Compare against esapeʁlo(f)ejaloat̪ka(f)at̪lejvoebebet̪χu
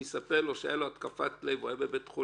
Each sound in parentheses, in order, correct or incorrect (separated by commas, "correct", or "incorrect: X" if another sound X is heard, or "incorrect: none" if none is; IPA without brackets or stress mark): incorrect: ʃ, correct